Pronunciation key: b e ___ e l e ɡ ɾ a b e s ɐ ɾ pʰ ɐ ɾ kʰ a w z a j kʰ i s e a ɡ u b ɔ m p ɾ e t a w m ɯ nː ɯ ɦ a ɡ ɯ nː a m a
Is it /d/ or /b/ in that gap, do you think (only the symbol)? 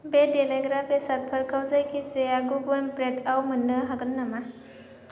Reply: d